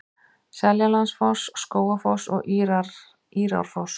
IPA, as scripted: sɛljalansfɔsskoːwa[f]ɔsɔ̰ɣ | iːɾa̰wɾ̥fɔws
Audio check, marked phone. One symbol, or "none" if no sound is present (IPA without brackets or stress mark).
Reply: f